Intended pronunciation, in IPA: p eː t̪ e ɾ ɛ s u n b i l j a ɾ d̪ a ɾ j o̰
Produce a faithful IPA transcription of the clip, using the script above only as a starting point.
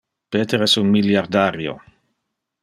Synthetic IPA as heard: p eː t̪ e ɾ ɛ s u n m i l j a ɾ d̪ a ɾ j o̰